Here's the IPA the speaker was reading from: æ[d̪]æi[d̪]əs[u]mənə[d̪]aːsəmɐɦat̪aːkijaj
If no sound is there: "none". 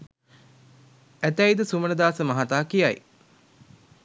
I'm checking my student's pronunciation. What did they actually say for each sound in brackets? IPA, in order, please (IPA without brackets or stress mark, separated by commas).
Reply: t̪, d̪, u, d̪